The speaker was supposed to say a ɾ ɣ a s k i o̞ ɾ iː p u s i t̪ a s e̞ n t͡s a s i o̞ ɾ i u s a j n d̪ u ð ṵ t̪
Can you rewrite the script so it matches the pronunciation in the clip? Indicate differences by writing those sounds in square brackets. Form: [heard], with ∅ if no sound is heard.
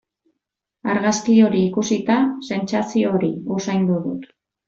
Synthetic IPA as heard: a ɾ ɣ a s k i o̞ ɾ iː [k] u s i t̪ a s e̞ n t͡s a s i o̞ ɾ i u s a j n d̪ u ð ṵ t̪